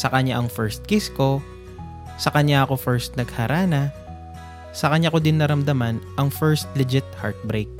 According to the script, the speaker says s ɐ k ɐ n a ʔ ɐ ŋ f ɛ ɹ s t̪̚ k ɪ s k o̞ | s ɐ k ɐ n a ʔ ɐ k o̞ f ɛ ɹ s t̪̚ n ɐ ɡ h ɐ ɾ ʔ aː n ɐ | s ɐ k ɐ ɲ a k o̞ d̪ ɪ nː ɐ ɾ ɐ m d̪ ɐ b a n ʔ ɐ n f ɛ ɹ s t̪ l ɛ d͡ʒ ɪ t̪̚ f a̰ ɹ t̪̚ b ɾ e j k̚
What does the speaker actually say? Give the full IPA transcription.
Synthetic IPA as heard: s ɐ k ɐ ɲ a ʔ ɐ ŋ f ɛ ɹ s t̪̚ k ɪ s k o̞ | s ɐ k ɐ ɲ a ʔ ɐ k o̞ f ɛ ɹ s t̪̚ n ɐ ɡ h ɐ ɾ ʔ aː n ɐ | s ɐ k ɐ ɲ a k o̞ d̪ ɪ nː ɐ ɾ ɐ m d̪ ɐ m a n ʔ ɐ ŋ f ɛ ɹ s t̪ l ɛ d͡ʒ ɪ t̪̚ h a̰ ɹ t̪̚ b ɾ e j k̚